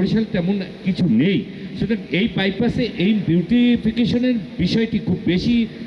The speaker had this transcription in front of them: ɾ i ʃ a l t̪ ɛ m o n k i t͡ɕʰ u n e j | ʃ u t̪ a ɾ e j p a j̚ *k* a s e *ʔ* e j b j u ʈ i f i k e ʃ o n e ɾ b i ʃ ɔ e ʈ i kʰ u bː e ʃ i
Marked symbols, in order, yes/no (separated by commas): no, yes